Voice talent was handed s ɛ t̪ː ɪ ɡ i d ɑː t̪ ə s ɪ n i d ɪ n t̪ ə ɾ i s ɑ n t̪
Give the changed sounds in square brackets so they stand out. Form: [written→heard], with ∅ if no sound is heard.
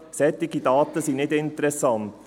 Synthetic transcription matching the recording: s ɛ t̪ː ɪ ɡ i d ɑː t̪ ə s [ɪ→i] n [i→ɪ] d ɪ n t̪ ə ɾ [i→ɛ] s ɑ n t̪